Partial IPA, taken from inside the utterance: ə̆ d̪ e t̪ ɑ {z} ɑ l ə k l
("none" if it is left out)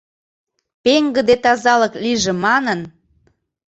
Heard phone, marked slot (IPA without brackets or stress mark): z